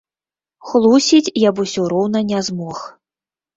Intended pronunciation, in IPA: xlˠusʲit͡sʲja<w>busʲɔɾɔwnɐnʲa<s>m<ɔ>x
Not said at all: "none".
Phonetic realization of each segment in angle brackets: none, z, ɔ

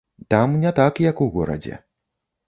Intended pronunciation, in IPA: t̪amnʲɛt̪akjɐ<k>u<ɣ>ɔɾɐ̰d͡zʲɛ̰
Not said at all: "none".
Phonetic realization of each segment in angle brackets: k, ɣ

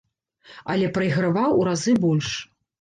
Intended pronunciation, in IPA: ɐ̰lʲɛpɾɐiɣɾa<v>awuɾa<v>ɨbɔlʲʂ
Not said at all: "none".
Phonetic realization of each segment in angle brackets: v, z

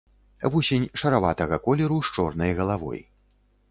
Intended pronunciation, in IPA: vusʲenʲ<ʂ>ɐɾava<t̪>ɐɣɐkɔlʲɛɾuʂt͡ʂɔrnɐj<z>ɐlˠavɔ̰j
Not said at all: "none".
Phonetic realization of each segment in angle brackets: ʂ, t̪, ɣ

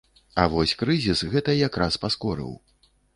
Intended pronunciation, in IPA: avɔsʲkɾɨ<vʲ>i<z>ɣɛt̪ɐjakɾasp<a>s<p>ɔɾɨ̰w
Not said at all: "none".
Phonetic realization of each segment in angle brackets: zʲ, s, a, k

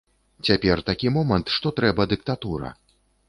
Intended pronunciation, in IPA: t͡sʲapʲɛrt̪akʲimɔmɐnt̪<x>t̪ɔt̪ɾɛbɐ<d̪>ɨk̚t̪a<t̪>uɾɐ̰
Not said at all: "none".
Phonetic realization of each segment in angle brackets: ʂ, d̪, t̪

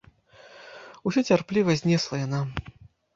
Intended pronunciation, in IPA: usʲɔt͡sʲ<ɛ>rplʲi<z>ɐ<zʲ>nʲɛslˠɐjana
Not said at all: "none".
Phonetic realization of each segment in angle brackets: a, v, zʲ

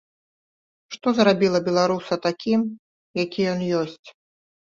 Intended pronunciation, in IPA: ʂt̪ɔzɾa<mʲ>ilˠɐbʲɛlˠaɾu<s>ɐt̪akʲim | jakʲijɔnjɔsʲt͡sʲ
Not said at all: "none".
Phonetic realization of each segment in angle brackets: bʲ, s

